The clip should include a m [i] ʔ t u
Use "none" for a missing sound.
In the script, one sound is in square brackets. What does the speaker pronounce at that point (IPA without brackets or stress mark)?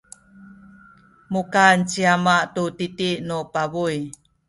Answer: a